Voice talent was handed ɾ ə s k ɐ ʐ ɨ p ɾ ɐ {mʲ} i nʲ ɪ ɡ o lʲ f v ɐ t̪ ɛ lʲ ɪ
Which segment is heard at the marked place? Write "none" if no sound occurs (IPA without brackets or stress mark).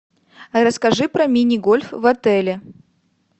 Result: mʲ